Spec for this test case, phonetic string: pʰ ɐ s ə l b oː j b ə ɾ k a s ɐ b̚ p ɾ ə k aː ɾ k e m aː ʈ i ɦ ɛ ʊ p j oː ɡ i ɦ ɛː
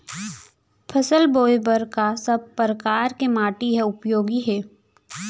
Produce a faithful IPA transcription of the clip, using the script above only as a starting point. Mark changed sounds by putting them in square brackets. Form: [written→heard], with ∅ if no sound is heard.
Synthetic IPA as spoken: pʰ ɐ s ə l b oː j b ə ɾ k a s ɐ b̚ p ɾ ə k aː ɾ k e m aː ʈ i ɦ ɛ ʊ p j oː ɡ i ɦ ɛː